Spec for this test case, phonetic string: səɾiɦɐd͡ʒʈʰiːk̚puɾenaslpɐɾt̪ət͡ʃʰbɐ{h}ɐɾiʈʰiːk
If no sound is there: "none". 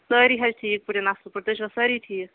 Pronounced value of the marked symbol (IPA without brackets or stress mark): s